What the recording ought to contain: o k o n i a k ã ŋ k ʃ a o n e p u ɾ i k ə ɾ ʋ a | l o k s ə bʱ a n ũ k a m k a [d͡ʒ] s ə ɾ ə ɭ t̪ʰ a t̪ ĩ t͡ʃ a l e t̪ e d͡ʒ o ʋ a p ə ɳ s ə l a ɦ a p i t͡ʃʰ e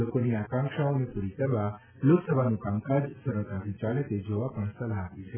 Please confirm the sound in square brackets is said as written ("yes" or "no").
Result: yes